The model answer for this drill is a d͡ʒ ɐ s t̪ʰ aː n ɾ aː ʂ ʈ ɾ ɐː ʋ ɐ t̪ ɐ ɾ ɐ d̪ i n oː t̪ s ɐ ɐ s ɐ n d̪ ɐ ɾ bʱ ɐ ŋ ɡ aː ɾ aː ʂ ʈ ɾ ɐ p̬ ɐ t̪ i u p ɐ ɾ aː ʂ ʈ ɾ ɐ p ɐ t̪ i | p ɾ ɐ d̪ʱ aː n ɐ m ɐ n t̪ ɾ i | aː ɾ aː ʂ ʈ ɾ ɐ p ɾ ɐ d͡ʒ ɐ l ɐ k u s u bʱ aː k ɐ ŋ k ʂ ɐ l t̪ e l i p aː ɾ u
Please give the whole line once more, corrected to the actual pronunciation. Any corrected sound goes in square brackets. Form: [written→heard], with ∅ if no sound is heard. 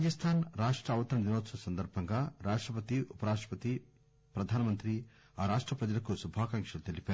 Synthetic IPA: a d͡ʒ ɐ s t̪ʰ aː n ɾ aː ʂ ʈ ɾ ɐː ʋ ɐ t̪ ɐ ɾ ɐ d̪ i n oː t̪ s ɐ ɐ s ɐ n d̪ ɐ ɾ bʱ ɐ ŋ ɡ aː ɾ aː ʂ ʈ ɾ ɐ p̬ ɐ t̪ i u p ɐ ɾ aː ʂ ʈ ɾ ɐ p ɐ t̪ i | p ɾ ɐ d̪ʱ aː n ɐ m ɐ n t̪ ɾ i | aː ɾ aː ʂ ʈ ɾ ɐ p ɾ ɐ d͡ʒ ɐ l ɐ k u s u bʱ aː k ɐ ŋ k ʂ ɐ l t̪ e l i p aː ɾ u

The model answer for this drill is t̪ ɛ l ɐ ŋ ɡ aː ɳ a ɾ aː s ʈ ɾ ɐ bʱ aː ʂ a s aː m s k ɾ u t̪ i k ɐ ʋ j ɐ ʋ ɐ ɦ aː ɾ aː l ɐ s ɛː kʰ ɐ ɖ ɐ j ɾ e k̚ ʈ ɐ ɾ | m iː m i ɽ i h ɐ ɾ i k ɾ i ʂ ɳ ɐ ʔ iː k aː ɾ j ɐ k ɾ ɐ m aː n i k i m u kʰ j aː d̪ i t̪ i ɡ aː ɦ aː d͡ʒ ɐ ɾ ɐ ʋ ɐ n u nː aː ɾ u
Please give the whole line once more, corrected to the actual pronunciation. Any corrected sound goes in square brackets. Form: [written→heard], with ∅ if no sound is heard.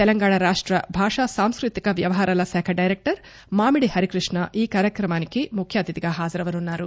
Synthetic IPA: t̪ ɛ l ɐ ŋ ɡ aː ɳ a ɾ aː [s→ʂ] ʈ ɾ ɐ bʱ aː ʂ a s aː m s k ɾ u t̪ i k ɐ ʋ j ɐ ʋ ɐ ɦ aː ɾ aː l ɐ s ɛː kʰ ɐ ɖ ɐ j ɾ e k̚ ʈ ɐ ɾ | m [iː→aː] m i ɽ i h ɐ ɾ i k ɾ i ʂ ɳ ɐ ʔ iː k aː ɾ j ɐ k ɾ ɐ m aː n i k i m u kʰ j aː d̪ i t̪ i ɡ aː ɦ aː d͡ʒ ɐ ɾ ɐ ʋ ɐ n u nː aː ɾ u

